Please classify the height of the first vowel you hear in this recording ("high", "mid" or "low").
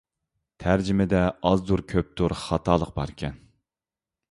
low